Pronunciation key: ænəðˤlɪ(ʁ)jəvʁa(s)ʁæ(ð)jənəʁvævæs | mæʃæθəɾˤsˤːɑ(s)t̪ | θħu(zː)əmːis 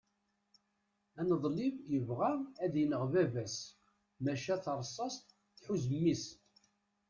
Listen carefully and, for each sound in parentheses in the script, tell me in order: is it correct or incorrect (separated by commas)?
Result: incorrect, incorrect, correct, correct, incorrect